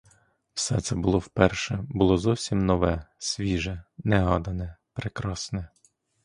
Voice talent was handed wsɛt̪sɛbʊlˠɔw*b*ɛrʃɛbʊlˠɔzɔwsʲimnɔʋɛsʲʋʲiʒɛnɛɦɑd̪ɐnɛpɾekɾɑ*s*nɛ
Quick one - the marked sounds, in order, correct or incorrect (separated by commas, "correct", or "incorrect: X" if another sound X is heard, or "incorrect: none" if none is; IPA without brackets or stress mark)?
incorrect: p, correct